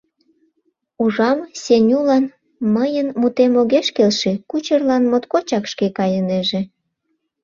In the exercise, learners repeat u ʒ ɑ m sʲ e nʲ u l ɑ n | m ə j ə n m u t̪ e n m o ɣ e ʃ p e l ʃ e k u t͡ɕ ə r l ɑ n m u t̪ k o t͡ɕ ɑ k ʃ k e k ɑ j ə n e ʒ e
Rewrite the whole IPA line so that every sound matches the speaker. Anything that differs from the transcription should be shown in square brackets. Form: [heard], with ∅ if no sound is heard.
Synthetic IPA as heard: u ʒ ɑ m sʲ e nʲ u l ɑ n | m ə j ə n m u t̪ e [∅] m o ɣ e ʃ [k] e l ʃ e k u t͡ɕ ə r l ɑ n m [o] t̪ k o t͡ɕ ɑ k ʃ k e k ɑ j ə n e ʒ e